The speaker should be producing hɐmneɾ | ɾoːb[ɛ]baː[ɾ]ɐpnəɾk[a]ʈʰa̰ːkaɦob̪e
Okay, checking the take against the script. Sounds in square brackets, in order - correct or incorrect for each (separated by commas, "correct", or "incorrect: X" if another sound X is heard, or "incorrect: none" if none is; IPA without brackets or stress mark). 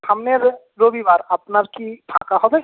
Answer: incorrect: i, correct, incorrect: i